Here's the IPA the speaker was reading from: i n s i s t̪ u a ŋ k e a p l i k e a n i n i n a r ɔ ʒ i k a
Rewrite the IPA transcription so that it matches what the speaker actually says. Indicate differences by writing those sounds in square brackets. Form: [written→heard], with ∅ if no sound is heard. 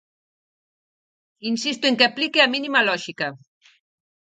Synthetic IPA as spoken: i n s i s t̪ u [a→e] ŋ k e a p l i k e a [n→m] i n i [n→m] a [r→l] ɔ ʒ i k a

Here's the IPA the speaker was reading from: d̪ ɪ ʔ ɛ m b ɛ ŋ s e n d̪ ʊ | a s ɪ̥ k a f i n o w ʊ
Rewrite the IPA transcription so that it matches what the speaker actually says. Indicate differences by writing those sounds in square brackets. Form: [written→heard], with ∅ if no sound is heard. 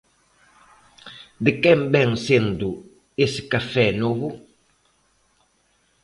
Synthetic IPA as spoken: d̪ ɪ [ʔ→k] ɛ m b ɛ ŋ s e n d̪ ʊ | [a→e] s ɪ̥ k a f [i→ɛ] n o [w→β] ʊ

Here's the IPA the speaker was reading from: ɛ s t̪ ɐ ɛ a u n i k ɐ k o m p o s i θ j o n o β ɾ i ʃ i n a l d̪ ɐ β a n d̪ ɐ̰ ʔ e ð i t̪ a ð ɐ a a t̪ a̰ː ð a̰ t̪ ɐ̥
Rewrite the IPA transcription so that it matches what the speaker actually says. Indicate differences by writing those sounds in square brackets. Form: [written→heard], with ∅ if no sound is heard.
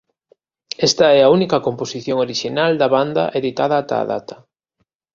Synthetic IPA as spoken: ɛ s t̪ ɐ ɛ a u n i k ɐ k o m p o s i θ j o [n→ŋ] o [β→∅] ɾ i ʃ i n a l d̪ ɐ β a n d̪ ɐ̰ ʔ e ð i t̪ a ð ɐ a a t̪ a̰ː ð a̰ t̪ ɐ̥

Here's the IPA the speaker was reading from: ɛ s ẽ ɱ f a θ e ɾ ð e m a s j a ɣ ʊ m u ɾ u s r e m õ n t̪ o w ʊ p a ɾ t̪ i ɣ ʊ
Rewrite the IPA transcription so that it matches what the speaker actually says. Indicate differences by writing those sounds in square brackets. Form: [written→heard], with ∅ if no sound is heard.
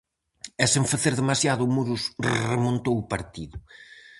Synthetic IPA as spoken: ɛ s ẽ ɱ f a θ e ɾ ð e m a s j a [ɣ→ð] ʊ m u ɾ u s r e m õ n t̪ o w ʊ p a ɾ t̪ i [ɣ→ð] ʊ

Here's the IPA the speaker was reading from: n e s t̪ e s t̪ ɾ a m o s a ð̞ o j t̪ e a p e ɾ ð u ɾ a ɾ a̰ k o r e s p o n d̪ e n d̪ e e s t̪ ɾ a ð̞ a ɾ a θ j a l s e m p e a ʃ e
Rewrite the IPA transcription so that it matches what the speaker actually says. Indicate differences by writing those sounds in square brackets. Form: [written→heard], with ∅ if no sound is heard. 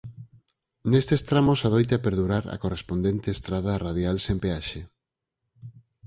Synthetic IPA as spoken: n e s t̪ e s t̪ ɾ a m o s a ð̞ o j t̪ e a p e ɾ ð u ɾ a ɾ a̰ k o r e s p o n d̪ e n [d̪→t̪] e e s t̪ ɾ a ð̞ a [ɾ→r] a [θ→ð] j a l s e m p e a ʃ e

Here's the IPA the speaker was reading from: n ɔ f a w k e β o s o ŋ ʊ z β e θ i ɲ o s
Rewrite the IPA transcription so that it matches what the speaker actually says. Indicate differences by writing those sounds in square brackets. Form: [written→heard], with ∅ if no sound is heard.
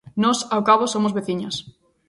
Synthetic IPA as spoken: n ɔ [f→s] a w k [e→a] β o s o [ŋ→m] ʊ z β e θ i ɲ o s

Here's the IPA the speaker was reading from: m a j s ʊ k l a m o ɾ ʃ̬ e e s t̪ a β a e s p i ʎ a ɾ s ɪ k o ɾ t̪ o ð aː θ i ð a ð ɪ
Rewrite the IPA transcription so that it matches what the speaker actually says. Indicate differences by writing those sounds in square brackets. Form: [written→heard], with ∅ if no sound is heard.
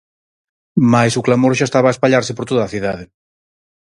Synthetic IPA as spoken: m a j s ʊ k l a m o ɾ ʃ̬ [e→a] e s t̪ a β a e s p [i→a] ʎ a ɾ s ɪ [k→p] o ɾ t̪ o ð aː θ i ð a ð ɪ

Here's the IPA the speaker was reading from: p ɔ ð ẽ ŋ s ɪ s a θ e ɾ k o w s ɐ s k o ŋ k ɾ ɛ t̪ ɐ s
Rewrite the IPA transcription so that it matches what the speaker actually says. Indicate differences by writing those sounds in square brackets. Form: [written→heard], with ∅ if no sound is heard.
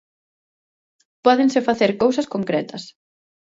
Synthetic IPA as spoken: p ɔ ð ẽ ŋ s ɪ [s→f] a θ e ɾ k o w s ɐ s k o ŋ k ɾ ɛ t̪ ɐ s

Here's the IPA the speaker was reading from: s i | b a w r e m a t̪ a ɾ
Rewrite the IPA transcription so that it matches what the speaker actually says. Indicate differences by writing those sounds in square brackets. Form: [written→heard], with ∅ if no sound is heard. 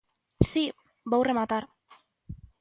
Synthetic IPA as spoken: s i | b a w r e m a t̪ a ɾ

